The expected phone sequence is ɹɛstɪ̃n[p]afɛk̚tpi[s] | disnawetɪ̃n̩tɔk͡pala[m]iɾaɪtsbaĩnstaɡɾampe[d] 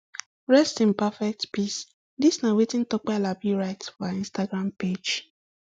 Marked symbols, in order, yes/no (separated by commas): yes, yes, no, no